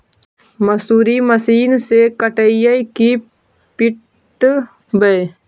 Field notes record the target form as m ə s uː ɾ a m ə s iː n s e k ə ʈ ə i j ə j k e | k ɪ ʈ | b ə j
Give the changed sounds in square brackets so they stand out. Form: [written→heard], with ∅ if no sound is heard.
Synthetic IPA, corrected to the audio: m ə s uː ɾ [a→i] m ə s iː n s e k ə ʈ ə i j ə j k [e→i] | [k→p] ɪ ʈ | b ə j